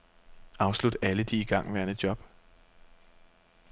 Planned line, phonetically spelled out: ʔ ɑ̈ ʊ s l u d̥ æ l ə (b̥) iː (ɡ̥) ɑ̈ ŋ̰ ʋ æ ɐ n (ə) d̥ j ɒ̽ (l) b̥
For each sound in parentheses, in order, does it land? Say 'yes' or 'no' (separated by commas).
no, yes, yes, no